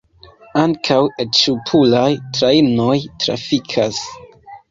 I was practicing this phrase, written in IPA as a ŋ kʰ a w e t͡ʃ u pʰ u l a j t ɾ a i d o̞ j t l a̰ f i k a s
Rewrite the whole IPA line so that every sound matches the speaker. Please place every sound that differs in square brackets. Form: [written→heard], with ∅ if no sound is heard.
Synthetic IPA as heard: a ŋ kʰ a w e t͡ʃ u pʰ u l a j t ɾ a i [d→n] o̞ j t [l→ɾ] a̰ f i [k→kʰ] a s